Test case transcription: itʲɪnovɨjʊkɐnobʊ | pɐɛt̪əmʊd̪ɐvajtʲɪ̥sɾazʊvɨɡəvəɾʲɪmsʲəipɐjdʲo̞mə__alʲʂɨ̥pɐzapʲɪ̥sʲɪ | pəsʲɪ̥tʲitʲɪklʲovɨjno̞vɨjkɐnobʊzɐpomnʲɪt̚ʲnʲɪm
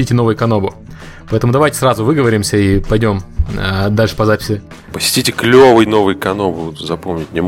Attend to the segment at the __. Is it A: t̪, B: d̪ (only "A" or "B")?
B